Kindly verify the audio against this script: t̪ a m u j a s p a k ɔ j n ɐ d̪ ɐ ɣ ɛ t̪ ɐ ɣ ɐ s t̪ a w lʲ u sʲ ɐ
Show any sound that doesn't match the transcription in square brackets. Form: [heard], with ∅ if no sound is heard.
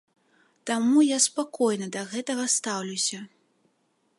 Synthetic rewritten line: t̪ a m u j a s p a k ɔ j n ɐ d̪ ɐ ɣ ɛ t̪ ɐ ɣ ɐ s t̪ a w lʲ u sʲ ɐ